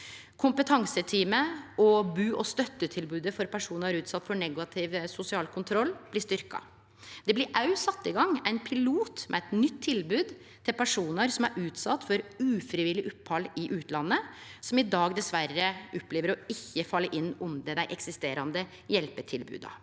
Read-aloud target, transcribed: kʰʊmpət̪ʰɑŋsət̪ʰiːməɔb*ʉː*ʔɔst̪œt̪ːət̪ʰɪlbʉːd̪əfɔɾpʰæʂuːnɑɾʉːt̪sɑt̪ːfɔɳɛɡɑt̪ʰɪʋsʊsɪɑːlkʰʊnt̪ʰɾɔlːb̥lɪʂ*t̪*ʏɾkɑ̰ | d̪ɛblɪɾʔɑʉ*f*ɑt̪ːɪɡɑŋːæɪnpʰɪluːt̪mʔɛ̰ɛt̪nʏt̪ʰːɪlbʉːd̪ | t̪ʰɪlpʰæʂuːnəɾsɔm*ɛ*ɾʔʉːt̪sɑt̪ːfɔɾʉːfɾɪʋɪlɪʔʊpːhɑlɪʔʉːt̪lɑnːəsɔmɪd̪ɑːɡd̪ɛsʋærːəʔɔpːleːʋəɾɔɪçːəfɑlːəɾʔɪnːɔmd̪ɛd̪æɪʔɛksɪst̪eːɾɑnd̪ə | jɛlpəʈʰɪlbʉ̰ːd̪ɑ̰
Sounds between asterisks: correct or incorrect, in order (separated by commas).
correct, correct, incorrect, incorrect